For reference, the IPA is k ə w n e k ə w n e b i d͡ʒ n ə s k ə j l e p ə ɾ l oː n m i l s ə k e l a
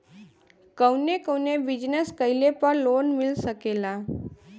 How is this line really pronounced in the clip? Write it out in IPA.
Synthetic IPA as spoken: k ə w n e k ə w n e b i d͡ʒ n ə s k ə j l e p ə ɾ l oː n m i l s ə k e l a